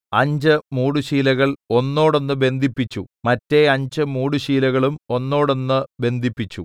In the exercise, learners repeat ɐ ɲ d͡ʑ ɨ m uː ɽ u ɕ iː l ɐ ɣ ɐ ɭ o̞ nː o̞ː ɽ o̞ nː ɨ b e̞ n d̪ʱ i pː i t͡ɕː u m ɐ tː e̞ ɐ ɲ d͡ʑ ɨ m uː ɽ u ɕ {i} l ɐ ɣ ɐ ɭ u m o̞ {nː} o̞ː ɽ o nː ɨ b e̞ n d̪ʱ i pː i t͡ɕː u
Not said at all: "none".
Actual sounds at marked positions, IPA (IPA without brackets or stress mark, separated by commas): iː, nː